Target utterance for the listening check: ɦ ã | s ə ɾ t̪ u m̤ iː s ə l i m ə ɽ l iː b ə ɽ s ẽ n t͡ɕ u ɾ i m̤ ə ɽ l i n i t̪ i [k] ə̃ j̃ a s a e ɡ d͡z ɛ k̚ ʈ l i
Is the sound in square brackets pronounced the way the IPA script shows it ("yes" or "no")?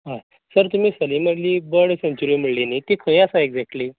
no